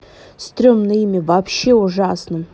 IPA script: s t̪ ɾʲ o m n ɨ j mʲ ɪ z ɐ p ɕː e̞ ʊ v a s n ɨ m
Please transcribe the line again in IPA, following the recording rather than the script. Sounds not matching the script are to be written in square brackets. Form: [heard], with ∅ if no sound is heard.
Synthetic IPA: s t̪ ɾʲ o m n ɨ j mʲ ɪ [v] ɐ p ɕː e̞ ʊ [ʐ] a s n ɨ m